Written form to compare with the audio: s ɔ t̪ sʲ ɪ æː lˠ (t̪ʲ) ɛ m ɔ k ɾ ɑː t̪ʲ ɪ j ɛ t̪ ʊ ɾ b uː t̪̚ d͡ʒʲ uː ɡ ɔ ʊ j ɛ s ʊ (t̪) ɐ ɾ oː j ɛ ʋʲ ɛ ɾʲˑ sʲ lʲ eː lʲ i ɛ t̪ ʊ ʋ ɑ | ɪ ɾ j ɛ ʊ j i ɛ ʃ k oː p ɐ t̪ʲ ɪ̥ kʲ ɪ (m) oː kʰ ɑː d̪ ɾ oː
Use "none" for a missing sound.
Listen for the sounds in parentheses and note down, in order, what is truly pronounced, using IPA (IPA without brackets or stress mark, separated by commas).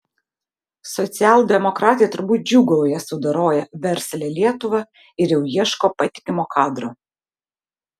d̪ʲ, d̪, m